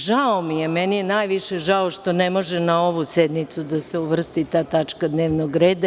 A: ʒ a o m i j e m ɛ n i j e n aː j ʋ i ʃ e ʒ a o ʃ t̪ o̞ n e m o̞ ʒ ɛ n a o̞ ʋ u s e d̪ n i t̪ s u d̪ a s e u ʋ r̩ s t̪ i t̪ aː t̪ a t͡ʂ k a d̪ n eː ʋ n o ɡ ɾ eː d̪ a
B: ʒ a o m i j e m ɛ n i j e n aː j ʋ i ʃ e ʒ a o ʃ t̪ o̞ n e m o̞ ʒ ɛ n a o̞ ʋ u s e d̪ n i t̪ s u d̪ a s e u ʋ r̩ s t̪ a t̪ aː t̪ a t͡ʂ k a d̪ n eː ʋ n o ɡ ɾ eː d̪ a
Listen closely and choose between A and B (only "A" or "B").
A